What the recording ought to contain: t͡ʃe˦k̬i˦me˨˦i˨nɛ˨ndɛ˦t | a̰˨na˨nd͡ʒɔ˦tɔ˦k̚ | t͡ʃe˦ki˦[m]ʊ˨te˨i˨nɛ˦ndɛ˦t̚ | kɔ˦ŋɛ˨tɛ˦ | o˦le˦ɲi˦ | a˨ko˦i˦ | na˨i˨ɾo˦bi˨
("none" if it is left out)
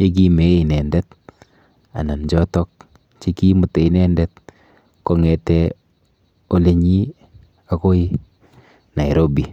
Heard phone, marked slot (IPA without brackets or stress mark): m